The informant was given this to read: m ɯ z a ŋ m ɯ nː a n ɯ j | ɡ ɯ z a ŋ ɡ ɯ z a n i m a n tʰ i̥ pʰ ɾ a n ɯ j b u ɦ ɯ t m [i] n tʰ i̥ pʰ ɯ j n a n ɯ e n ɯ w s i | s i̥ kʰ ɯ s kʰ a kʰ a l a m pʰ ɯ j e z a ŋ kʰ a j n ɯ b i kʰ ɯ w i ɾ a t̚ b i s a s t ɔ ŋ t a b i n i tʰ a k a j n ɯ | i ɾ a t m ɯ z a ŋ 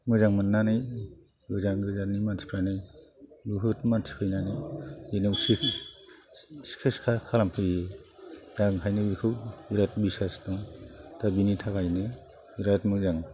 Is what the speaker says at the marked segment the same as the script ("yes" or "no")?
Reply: no